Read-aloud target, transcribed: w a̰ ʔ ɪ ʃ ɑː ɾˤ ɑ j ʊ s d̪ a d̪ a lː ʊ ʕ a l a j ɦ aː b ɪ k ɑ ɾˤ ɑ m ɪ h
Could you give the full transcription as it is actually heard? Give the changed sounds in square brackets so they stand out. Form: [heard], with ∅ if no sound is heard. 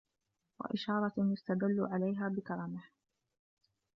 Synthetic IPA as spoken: w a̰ ʔ ɪ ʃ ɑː ɾˤ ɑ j ʊ s [t̪] a d̪ a lː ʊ ʕ a l a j ɦ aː b ɪ k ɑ ɾˤ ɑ m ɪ h